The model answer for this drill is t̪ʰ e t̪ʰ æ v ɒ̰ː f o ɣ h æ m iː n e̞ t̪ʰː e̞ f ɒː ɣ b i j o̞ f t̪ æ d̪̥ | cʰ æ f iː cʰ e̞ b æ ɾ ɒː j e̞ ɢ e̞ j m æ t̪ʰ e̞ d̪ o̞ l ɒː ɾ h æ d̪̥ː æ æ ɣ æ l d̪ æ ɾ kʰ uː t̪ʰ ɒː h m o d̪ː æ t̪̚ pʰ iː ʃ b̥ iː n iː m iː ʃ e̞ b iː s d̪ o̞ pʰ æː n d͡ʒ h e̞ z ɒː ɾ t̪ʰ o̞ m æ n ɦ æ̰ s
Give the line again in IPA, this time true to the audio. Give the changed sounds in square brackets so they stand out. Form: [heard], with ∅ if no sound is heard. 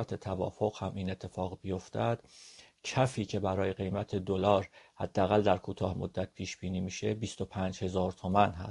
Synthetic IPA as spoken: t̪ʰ e t̪ʰ æ v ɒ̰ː f o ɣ h æ m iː n e̞ t̪ʰː e̞ f ɒː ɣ b i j o̞ f t̪ æ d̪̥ | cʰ æ f iː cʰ e̞ b æ ɾ ɒː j e̞ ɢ e̞ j m æ t̪ʰ e̞ d̪ o̞ l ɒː ɾ h æ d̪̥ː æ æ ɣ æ l d̪ æ ɾ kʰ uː t̪ʰ ɒː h m o d̪ː æ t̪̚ pʰ iː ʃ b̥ iː n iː m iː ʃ e̞ b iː s [t̪] o̞ pʰ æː n d͡ʒ h e̞ z ɒː ɾ t̪ʰ o̞ m æ n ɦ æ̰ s